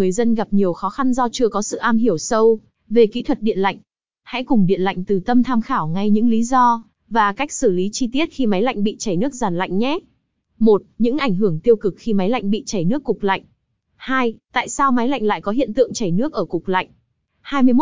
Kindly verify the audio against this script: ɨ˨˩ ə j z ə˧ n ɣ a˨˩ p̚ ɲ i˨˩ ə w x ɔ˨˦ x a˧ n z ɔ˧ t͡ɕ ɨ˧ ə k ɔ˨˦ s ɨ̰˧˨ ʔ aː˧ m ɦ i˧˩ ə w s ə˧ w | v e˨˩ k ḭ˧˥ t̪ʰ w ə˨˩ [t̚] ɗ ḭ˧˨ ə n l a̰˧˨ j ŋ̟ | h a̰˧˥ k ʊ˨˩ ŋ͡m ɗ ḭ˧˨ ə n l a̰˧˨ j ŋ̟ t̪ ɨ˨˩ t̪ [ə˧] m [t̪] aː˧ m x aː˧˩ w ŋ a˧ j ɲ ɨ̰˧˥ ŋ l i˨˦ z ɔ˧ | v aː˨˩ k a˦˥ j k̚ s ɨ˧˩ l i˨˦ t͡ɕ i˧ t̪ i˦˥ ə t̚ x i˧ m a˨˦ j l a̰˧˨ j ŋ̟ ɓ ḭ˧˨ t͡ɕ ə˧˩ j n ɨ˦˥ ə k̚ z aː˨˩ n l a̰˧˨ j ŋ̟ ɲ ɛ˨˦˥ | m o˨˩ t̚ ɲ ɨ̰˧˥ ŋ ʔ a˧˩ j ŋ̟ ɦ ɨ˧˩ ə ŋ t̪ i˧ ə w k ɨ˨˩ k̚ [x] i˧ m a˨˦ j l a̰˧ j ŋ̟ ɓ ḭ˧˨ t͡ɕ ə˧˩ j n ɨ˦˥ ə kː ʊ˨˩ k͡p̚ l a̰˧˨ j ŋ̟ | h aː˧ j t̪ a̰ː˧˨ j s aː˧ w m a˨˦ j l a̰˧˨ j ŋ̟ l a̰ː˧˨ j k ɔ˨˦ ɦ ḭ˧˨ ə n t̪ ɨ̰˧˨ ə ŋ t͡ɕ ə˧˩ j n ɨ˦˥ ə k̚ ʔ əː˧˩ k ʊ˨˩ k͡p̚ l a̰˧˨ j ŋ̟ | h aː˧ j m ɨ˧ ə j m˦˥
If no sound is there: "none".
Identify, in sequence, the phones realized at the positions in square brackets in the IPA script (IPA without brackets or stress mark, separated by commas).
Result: t̚, ə˧, t̪ʰ, x